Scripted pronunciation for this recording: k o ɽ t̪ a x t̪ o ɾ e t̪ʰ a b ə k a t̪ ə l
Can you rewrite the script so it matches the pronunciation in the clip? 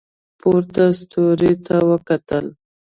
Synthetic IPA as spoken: p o ɾ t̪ a s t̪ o ɾ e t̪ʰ a w ə k a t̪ ə l